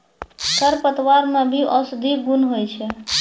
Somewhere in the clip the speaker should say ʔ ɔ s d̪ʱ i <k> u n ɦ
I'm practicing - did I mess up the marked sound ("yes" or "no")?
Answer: yes